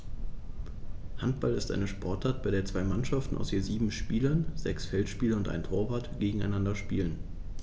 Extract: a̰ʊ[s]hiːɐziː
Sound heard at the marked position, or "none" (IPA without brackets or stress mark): s